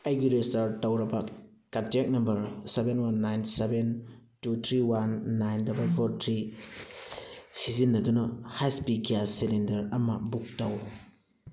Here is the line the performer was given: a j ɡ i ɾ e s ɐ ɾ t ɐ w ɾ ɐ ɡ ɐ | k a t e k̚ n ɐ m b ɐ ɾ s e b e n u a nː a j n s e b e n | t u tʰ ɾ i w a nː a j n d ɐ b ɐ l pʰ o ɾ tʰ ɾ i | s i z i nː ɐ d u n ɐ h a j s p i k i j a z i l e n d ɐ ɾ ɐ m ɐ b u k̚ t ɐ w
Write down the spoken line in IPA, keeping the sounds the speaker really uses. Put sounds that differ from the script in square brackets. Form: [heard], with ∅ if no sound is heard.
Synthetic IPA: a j ɡ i ɾ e s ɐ ɾ t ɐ w ɾ ɐ [b] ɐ | k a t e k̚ n ɐ m b ɐ ɾ s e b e n [w] a nː a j n s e b e n | t u tʰ ɾ i w a nː a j n d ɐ b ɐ l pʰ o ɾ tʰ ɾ i | s i z i nː ɐ d u n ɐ h a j s p i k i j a [s] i l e n d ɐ ɾ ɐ m ɐ b u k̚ t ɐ w